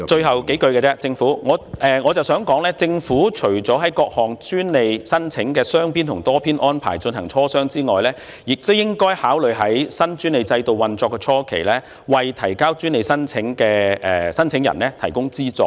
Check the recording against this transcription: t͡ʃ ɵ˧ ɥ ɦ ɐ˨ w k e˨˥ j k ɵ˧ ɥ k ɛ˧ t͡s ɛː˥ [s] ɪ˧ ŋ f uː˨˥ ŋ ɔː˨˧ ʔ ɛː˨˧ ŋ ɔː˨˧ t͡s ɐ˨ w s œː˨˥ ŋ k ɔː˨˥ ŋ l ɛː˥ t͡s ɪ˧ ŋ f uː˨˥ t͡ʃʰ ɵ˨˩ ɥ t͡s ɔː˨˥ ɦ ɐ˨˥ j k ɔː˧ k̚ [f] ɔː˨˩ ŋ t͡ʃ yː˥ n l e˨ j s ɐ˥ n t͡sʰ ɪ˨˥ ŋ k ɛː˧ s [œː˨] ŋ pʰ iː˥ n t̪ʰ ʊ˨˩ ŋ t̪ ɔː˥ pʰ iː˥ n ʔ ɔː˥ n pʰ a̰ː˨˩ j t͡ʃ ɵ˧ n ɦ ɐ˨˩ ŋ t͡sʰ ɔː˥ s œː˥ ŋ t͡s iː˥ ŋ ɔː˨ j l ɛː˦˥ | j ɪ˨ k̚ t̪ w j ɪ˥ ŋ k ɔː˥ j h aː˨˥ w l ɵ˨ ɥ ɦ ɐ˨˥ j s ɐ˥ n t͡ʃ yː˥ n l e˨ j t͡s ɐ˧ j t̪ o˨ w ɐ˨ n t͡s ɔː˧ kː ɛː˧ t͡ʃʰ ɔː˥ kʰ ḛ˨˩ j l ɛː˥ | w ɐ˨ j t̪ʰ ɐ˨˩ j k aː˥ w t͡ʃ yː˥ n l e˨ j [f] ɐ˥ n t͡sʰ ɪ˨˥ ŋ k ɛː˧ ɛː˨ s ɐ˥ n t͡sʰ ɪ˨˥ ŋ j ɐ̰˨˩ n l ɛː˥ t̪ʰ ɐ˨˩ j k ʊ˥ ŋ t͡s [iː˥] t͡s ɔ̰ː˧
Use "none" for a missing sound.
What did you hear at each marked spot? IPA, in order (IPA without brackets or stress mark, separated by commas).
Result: t͡s, h, œː˥, s, iː˥